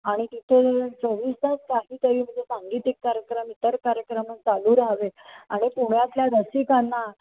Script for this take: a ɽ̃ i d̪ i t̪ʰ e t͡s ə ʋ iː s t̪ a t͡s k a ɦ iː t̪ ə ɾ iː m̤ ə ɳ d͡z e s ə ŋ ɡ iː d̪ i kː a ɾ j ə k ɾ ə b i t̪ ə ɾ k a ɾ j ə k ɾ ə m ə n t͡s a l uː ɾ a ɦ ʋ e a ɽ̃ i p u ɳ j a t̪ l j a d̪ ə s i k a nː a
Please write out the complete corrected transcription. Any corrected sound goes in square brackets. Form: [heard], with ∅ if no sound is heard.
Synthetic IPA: a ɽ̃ i [t̪] i t̪ʰ e t͡s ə ʋ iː s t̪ a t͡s k a ɦ iː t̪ ə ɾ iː m̤ ə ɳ d͡z e s [a] ŋ ɡ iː [t̪] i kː a ɾ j ə k ɾ ə [m] i t̪ ə ɾ k a ɾ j ə k ɾ ə m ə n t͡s a l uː ɾ a ɦ ʋ e a ɽ̃ i p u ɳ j a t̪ l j a d̪ ə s i k a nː a